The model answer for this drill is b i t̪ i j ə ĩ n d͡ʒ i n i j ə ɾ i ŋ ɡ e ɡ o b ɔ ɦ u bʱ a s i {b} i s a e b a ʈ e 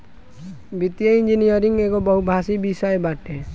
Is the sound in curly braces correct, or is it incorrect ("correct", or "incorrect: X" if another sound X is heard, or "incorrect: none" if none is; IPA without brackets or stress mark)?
correct